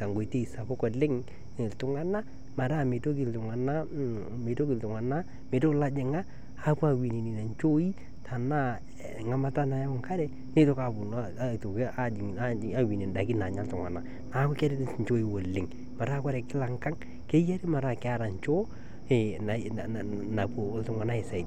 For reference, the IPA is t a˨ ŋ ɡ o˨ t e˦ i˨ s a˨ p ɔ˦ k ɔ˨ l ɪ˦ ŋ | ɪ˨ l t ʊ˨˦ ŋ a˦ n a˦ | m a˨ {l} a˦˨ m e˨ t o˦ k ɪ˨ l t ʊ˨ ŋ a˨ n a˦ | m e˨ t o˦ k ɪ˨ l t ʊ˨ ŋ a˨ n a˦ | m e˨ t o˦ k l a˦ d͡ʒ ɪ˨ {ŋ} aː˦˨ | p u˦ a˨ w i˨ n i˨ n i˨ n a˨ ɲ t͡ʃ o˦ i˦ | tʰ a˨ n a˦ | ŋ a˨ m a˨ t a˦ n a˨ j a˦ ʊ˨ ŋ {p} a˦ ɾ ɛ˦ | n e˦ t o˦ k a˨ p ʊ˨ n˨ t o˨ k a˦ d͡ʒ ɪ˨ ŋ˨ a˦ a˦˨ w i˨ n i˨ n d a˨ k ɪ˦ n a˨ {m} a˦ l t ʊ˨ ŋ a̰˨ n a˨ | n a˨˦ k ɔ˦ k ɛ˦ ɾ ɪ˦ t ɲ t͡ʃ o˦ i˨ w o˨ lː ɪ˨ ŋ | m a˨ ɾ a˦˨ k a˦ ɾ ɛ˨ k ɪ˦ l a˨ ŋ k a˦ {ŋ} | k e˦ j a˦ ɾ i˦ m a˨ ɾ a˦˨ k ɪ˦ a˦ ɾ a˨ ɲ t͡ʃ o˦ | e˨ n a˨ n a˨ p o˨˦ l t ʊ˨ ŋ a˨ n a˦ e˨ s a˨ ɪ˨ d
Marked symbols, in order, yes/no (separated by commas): no, yes, no, no, yes